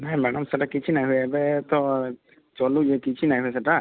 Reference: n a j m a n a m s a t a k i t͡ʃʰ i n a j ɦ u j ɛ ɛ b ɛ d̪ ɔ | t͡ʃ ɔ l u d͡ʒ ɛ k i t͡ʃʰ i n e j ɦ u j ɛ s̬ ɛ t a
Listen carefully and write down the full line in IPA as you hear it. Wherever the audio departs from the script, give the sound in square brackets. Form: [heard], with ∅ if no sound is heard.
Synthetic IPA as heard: n a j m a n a m s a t a k i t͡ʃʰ i n a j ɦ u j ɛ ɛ b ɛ [t̪] ɔ | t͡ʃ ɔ l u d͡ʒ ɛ k i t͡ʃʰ i n [a] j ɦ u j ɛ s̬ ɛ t a